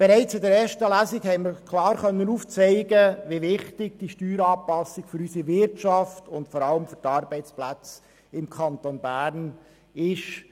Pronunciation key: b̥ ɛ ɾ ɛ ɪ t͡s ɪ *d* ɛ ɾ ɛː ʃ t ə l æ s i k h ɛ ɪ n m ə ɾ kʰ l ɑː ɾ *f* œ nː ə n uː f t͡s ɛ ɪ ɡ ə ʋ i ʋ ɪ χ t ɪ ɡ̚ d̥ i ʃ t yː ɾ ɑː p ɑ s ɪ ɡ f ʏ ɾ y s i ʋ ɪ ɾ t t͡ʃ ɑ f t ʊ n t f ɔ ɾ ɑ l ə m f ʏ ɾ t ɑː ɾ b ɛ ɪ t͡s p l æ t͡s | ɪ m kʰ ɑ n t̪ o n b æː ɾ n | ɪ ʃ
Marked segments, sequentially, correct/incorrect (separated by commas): correct, incorrect